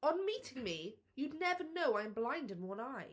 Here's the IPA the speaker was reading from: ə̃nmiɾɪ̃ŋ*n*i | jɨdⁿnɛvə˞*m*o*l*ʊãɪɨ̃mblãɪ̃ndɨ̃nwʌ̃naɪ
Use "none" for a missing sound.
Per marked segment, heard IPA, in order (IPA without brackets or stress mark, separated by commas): m, n, none